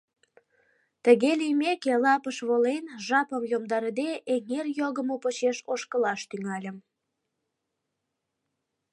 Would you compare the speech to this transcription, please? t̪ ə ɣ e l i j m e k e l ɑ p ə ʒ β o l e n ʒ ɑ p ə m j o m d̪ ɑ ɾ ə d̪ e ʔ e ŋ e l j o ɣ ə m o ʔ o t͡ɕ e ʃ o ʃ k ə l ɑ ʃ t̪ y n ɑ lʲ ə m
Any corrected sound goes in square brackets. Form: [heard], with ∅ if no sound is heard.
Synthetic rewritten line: t̪ ə ɣ e l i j m e k e l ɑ p ə [ʃ] β o l e n ʒ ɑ p ə m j o m d̪ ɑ ɾ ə d̪ e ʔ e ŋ e [r] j o ɣ ə m o [p] o t͡ɕ e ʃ o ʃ k ə l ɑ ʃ t̪ y [ŋ] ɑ lʲ ə m